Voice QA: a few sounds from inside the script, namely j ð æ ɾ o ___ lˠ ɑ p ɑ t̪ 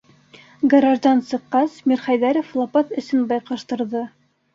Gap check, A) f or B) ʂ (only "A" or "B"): A